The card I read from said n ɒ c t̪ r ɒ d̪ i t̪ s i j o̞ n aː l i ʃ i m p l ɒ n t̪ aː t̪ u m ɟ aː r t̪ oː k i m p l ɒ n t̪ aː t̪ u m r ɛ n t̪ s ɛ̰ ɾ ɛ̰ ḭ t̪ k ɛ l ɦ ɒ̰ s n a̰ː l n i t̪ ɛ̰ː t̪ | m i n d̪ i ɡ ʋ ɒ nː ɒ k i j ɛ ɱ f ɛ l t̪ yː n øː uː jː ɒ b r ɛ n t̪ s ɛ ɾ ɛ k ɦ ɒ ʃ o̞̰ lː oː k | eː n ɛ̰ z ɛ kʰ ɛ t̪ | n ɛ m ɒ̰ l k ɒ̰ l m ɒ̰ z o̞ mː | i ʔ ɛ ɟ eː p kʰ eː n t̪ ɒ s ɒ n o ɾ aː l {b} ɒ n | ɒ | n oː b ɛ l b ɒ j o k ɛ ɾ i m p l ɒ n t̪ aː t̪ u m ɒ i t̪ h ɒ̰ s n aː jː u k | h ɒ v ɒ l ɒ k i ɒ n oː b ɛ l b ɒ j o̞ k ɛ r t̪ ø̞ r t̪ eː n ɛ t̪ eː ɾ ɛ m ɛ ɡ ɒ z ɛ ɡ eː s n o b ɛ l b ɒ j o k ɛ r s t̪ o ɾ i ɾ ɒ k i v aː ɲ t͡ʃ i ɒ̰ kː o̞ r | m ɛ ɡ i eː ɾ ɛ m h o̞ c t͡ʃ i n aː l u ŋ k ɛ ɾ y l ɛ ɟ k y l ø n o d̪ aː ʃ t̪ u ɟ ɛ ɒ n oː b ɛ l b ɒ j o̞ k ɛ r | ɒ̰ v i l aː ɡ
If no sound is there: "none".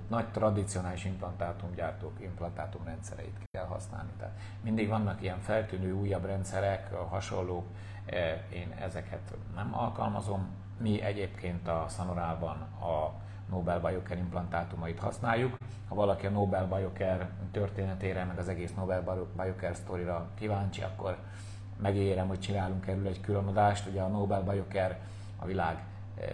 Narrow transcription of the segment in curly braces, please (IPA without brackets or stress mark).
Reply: b